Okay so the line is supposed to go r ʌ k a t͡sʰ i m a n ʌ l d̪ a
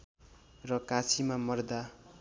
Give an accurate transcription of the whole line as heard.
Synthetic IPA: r ʌ k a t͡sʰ i m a m ʌ r d̪ a